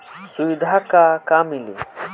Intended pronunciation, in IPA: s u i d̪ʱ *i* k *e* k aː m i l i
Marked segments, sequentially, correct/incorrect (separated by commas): incorrect, incorrect